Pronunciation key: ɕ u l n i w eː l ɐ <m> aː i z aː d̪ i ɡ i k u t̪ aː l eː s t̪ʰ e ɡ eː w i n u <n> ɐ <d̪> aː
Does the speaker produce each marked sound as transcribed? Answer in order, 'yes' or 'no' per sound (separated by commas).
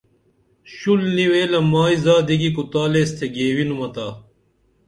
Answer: yes, no, no